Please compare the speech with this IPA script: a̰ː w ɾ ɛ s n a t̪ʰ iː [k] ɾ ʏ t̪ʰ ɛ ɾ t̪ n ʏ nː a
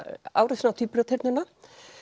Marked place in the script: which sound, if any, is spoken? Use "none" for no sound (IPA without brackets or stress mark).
p